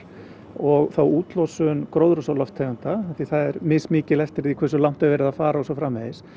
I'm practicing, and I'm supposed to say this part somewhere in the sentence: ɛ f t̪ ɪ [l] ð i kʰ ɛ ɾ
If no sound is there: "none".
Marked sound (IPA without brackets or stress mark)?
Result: ɾ